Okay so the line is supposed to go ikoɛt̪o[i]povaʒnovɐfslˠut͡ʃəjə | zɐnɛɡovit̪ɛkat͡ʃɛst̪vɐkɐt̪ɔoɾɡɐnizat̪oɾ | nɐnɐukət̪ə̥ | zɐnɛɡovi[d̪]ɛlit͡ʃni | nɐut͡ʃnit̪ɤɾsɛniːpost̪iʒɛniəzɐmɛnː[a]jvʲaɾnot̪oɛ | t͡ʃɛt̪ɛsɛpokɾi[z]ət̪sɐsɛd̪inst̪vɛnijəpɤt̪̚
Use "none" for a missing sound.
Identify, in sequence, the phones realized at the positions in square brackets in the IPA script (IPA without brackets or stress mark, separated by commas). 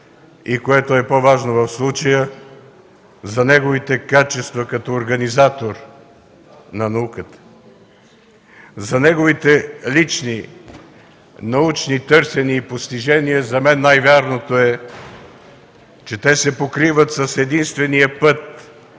ɛ, t̪, a, v